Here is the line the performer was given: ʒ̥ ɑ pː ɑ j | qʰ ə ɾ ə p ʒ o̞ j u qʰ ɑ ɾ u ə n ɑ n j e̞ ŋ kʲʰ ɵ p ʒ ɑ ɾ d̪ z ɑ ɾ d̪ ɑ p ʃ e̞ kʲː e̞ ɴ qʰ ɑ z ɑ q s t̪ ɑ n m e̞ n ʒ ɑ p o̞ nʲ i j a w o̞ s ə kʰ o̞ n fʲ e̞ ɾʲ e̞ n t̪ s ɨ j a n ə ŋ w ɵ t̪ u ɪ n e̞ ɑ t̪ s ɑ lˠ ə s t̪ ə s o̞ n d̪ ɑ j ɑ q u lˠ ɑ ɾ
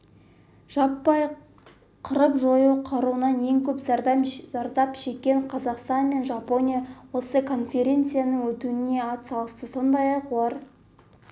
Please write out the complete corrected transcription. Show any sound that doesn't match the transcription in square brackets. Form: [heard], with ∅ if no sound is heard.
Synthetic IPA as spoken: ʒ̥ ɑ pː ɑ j | qʰ ə ɾ ə p ʒ o̞ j u qʰ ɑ ɾ u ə n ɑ n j e̞ ŋ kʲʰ ɵ p [z] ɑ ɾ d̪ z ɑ ɾ d̪ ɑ p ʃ e̞ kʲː e̞ ɴ qʰ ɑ z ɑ q s t̪ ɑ n m e̞ n ʒ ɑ p o̞ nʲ i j a w o̞ s ə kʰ o̞ n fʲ e̞ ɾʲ e̞ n t̪ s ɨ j a n ə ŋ w ɵ t̪ u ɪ n e̞ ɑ t̪ s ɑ lˠ ə s t̪ ə s o̞ n d̪ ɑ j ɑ q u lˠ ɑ ɾ